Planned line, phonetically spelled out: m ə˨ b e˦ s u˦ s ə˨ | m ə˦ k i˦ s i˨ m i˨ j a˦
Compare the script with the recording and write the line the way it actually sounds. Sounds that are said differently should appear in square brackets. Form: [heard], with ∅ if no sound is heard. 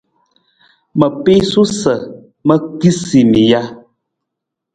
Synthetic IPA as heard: m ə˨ [p] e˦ s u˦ s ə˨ | m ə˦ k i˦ s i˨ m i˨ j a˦

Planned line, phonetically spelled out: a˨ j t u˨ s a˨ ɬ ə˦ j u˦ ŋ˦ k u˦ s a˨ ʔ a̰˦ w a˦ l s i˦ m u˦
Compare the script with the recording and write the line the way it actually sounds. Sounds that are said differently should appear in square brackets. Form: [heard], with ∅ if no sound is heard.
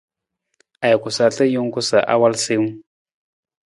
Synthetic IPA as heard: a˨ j [k] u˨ s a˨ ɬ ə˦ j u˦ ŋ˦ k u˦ s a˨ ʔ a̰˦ w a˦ l s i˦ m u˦

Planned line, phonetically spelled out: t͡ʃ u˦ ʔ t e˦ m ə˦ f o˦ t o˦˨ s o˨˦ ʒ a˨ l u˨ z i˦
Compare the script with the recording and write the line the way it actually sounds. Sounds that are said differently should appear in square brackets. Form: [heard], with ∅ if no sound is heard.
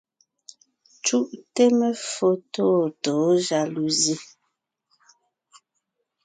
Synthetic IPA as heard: t͡ʃ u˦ ʔ t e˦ m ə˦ f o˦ t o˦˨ [t] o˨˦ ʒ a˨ l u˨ z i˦

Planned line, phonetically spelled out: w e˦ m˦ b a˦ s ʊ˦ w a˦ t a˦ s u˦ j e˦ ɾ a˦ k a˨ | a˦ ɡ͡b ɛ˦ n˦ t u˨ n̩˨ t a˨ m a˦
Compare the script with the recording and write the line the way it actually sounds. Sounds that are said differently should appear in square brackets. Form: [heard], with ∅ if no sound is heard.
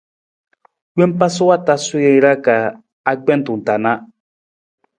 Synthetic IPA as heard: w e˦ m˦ [p] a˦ s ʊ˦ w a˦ t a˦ s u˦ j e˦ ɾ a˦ k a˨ | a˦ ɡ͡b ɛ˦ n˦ t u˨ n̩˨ t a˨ [n] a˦

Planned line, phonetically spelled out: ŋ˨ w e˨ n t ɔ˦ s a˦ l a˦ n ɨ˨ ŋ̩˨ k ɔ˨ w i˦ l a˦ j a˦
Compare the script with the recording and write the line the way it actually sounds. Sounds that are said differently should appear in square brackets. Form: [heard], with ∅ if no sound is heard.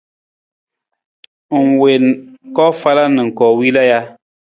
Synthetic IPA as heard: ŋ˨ w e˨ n [k] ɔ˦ [f] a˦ l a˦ n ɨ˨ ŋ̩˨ k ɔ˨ w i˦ l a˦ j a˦

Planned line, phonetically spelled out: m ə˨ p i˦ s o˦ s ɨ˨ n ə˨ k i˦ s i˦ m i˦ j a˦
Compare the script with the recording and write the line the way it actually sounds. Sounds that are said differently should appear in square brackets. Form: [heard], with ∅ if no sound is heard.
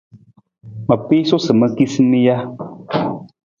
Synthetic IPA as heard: m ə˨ p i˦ s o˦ s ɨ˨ [m] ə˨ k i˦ s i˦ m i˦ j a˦

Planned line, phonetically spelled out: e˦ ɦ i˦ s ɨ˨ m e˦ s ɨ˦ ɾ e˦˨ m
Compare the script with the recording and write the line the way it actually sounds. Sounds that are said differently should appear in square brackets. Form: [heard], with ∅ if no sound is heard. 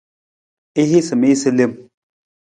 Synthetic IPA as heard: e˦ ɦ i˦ s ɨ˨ m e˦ s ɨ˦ [l] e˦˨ m

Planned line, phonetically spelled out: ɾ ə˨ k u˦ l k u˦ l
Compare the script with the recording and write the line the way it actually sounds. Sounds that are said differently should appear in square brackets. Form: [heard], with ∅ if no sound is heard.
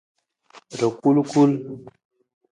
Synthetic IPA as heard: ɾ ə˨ k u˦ l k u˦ l

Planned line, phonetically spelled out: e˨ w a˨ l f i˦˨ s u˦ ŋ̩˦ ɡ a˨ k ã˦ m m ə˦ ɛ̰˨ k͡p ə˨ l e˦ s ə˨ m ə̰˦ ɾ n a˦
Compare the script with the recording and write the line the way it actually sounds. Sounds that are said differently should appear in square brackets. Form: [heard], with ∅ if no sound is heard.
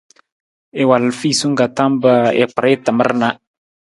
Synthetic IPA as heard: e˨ w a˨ l f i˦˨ s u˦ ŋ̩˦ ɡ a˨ [t] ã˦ m [b] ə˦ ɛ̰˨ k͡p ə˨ [ɾ] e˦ [t] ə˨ m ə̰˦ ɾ n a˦

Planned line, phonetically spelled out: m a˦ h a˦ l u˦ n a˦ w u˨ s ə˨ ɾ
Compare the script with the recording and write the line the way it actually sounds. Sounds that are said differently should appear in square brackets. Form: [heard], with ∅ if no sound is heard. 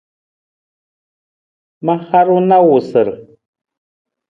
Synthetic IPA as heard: m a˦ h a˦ [ɾ] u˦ n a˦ w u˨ s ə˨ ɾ

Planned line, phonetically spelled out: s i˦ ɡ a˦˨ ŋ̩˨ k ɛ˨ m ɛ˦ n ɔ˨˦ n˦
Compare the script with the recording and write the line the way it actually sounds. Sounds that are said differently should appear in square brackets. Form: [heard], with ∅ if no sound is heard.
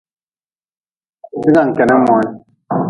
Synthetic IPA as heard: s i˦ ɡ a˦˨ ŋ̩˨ k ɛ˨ [n] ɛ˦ [m] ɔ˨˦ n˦

